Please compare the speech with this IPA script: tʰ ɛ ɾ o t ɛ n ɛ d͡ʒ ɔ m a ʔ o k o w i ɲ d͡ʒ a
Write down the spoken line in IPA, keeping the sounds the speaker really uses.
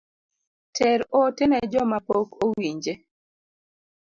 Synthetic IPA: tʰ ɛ ɾ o t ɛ n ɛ d͡ʒ ɔ m a p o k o w i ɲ d͡ʒ e